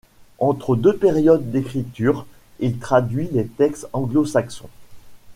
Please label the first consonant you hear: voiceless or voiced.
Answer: voiceless